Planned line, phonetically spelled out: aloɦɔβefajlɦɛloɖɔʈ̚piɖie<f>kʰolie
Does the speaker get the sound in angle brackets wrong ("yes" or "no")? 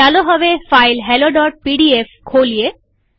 no